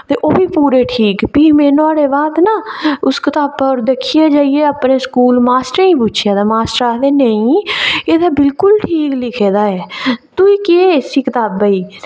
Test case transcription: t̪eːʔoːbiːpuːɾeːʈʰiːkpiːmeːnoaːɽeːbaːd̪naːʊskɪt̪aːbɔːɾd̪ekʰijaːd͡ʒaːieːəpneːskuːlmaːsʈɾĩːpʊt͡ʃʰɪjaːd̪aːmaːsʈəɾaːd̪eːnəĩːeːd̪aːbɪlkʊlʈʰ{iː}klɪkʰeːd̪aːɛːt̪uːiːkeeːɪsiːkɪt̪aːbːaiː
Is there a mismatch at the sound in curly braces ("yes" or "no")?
no